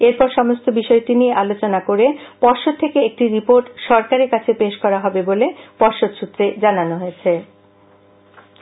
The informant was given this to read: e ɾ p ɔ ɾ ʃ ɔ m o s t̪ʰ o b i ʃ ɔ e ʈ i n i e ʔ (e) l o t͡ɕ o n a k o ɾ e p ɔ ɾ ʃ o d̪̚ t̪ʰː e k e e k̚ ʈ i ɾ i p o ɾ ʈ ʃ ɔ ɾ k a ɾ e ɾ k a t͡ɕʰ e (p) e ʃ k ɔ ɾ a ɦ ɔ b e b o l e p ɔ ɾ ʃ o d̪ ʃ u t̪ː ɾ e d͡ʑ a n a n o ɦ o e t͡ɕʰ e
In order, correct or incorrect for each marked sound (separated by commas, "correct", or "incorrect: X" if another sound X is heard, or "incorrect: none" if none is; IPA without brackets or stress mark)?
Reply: incorrect: a, correct